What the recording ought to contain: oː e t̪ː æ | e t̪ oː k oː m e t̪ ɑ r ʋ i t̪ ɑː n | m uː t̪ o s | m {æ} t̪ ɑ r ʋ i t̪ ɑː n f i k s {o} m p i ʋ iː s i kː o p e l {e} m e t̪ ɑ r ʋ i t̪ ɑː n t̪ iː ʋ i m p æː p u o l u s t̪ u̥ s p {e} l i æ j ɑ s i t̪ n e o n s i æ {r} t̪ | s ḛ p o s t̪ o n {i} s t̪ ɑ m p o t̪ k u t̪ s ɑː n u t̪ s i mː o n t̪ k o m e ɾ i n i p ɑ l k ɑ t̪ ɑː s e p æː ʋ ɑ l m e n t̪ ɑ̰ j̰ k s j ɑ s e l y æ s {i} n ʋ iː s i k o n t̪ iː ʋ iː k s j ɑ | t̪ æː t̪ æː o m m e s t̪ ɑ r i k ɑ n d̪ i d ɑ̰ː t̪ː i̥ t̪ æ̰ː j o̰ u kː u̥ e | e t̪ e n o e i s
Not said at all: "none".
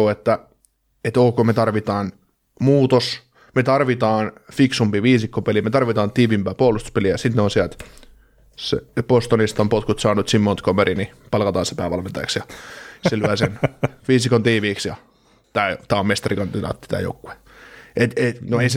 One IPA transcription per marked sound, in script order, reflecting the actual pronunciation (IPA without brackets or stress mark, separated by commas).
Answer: e, u, i, e, l, i, e